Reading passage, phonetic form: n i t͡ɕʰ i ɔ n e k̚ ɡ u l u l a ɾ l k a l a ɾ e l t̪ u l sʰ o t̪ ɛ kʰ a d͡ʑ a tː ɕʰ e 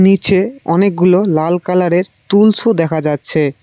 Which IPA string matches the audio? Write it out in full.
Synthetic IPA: n i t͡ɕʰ e ɔ n e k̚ ɡ u l o l a l k a l a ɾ e ɾ t̪ u l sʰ o d̪ ɛ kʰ a d͡ʑ a tː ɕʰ e